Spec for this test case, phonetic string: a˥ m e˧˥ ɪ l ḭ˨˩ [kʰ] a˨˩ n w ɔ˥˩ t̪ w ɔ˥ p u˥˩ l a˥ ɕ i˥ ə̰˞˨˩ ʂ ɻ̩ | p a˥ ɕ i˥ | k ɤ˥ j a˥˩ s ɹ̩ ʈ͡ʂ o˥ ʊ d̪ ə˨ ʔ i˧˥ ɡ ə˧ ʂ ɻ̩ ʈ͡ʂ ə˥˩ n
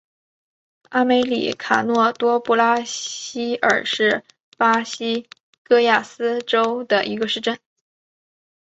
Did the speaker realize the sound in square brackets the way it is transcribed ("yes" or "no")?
yes